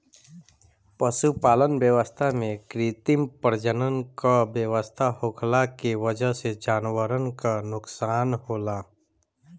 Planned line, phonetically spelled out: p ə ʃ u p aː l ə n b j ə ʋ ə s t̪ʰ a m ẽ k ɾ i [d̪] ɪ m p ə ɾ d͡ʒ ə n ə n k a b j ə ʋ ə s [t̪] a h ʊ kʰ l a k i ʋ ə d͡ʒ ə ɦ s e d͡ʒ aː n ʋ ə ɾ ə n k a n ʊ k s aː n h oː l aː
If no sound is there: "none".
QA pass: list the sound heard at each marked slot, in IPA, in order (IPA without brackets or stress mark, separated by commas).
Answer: t̪, t̪ʰ